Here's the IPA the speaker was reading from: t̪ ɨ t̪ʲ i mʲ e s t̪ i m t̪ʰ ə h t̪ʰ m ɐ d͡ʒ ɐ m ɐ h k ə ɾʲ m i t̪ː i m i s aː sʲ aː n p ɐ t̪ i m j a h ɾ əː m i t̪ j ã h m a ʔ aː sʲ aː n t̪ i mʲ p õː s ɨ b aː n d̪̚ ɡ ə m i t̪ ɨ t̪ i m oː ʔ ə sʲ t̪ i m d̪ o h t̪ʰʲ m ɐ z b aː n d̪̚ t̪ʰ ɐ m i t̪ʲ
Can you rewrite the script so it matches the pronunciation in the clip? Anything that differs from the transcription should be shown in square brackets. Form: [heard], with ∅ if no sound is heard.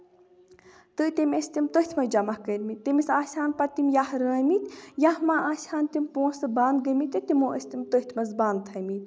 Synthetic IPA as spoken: t̪ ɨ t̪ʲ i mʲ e s t̪ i m [t̪] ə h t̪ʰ m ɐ d͡ʒ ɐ m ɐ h k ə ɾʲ m i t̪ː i m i s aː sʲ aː n p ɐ t̪ i m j a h ɾ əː m i t̪ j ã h m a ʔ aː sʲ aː n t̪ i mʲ p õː s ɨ b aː n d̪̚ ɡ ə m i t̪ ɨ t̪ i m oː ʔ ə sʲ t̪ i m [t̪] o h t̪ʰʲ m ɐ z b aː n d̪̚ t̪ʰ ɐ m i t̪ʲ